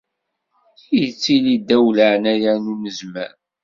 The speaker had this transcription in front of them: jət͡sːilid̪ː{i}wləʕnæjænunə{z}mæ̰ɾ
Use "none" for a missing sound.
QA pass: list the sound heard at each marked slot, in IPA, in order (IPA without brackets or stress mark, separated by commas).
æ, z